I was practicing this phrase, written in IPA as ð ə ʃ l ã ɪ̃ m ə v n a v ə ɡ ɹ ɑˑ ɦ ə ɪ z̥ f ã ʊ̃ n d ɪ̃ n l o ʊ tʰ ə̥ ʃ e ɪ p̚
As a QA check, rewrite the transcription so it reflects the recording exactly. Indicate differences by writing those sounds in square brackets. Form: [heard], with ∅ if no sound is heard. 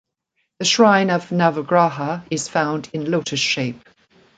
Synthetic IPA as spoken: ð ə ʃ [ɹ] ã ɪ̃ [n] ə v n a v ə ɡ ɹ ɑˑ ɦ ə ɪ z̥ f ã ʊ̃ n d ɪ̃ n l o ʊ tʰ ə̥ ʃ e ɪ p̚